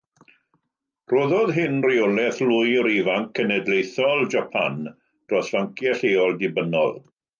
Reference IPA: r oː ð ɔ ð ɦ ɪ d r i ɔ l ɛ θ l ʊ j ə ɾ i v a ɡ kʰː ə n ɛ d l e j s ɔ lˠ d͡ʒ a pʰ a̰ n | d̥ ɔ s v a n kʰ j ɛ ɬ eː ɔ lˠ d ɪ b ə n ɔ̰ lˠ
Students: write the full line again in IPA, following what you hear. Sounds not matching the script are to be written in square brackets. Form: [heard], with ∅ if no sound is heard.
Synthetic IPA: r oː ð ɔ ð ɦ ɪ [n] r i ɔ l ɛ θ l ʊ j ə ɾ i v a [ŋ] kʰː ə n ɛ d l e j [θ] ɔ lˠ d͡ʒ a pʰ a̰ n | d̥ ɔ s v a [ŋ] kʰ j ɛ ɬ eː ɔ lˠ d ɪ b ə n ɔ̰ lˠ